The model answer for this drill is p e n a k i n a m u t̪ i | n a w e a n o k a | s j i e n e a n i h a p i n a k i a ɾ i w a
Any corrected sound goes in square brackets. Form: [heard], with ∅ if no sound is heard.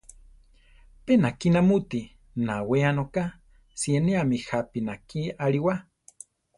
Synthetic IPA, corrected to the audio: p e n a k i n a m u t̪ i | n a w e a n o k a | s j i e n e a [m] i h a p i n a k i a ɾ i w a